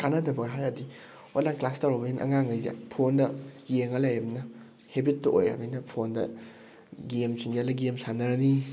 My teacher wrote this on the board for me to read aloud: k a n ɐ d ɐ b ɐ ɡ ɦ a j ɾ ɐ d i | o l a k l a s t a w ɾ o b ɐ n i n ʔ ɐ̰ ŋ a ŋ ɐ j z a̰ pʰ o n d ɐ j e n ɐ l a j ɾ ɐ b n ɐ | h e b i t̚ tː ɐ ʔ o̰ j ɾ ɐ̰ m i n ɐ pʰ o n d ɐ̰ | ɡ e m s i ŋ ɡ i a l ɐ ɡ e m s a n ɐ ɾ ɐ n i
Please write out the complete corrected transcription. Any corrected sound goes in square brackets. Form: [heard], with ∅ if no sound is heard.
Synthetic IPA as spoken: k a n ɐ d ɐ b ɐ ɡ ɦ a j ɾ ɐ d i | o l a k l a s t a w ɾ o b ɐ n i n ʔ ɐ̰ ŋ a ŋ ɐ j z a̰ pʰ o n d ɐ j e [ŋ] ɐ l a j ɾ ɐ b n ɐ | h e b i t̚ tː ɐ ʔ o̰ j ɾ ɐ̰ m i n ɐ pʰ o n d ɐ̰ | ɡ e m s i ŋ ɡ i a l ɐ ɡ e m s a n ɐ ɾ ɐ n i